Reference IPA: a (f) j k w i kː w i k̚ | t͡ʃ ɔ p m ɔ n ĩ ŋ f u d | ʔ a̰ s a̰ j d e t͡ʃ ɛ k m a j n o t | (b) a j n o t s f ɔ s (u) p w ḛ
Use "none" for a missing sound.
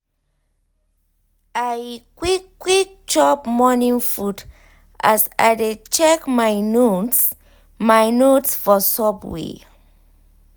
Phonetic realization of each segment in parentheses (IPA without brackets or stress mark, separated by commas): none, m, ɔ